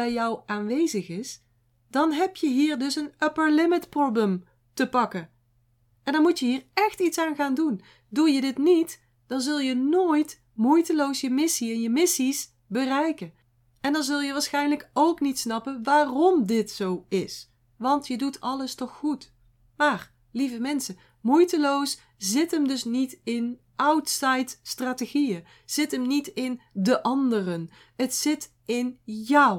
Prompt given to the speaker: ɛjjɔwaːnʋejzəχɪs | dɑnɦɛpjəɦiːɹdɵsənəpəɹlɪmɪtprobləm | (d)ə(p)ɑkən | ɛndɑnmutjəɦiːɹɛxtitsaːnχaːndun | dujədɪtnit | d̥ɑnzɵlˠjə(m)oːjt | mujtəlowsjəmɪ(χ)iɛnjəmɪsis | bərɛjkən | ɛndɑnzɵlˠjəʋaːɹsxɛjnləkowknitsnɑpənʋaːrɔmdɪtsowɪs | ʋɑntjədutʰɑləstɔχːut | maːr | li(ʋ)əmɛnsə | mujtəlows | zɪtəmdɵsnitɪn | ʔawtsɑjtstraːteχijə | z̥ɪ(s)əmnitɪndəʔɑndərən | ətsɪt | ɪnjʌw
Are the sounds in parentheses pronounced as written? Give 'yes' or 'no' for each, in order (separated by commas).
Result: no, yes, no, no, no, no